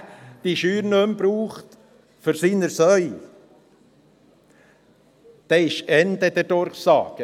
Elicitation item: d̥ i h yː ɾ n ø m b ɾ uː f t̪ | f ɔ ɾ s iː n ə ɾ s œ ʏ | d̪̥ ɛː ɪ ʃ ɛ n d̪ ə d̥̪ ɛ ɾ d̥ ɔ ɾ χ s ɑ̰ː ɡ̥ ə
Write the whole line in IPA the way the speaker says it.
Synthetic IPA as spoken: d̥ i ʃ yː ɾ n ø m b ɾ uː χ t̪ | f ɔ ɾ s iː n ə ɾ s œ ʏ | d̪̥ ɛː ɪ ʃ ɛ n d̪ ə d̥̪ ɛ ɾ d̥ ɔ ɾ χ s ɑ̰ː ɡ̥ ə